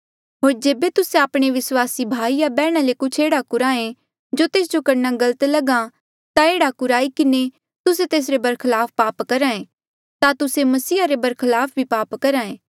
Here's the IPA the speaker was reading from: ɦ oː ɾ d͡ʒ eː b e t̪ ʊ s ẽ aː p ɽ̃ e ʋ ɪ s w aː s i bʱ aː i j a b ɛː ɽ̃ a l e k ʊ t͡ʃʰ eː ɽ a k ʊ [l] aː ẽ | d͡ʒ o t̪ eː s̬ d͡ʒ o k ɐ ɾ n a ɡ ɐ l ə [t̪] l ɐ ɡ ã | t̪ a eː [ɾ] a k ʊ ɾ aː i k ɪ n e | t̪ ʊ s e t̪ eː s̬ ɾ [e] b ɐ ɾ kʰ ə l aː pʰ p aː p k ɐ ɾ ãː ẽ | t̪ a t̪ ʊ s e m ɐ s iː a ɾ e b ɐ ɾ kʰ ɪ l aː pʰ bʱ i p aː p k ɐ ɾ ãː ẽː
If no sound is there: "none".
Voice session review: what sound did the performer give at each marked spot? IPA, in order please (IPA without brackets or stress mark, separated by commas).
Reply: ɾ, t̪, ɽ, e